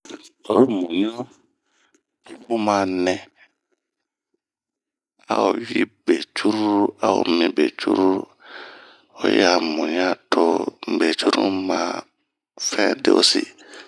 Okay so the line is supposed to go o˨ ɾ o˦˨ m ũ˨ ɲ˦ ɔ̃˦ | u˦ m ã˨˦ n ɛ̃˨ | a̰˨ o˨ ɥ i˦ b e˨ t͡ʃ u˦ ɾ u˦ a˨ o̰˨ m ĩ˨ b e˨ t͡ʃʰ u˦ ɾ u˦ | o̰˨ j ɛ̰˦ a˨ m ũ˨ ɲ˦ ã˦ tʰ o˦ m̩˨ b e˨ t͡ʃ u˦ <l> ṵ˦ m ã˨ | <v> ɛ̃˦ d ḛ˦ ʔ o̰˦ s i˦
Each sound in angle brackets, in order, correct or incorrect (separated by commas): incorrect, incorrect